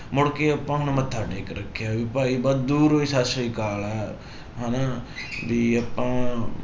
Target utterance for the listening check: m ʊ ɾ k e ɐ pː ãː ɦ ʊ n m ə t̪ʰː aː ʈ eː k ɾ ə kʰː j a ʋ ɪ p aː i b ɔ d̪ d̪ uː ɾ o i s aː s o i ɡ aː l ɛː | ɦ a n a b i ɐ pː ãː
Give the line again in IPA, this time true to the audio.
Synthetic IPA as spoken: m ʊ ɽ k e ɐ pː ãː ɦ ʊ n m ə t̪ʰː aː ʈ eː k ɾ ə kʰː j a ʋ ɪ p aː i b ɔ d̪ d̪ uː ɾ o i s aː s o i k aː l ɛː | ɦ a n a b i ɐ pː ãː

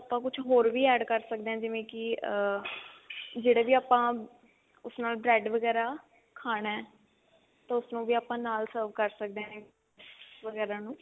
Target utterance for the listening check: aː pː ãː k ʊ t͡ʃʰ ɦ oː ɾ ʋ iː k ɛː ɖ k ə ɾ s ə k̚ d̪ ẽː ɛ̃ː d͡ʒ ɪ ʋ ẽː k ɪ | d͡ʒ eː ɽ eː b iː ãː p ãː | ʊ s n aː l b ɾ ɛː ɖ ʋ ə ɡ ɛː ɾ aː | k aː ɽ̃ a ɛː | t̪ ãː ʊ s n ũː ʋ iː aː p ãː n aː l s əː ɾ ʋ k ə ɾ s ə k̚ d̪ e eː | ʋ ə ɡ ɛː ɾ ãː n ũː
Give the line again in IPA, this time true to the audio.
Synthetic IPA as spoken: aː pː ãː k ʊ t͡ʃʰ ɦ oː ɾ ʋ iː ɛː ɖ k ə ɾ s ə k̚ d̪ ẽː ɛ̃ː d͡ʒ ɪ ʋ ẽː k ɪ | d͡ʒ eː ɽ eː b iː aː p ãː | ʊ s n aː l b ɾ ɛː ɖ ʋ ə ɡ ɛː ɾ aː | kʰ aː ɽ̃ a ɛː | t̪ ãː ʊ s n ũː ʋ iː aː p ãː n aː l s əː ɾ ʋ k ə ɾ s ə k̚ d̪ e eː | ʋ ə ɡ ɛː ɾ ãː n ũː

